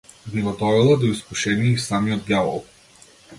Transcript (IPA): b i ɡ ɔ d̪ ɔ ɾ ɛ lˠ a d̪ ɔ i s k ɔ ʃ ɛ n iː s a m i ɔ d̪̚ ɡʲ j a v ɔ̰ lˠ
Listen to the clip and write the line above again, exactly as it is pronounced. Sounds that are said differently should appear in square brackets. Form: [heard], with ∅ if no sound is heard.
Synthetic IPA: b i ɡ ɔ d̪ ɔ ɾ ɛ lˠ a d̪ ɔ i s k [u] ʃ ɛ n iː s a m i ɔ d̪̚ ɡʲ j a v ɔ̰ lˠ